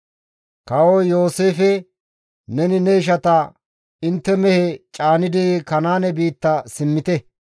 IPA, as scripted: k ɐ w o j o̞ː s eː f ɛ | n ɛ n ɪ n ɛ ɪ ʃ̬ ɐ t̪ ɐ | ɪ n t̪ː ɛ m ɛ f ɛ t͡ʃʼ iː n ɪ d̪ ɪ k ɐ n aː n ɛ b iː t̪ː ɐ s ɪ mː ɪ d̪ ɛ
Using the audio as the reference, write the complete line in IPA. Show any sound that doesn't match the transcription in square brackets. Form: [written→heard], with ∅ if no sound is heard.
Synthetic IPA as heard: k ɐ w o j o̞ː s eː f ɛ | n ɛ n ɪ n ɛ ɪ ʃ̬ ɐ t̪ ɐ | ɪ n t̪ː ɛ m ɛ [f→h] ɛ t͡ʃʼ [iː→aː] n ɪ d̪ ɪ k ɐ n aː n ɛ b iː t̪ː ɐ s ɪ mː ɪ [d̪→t̪] ɛ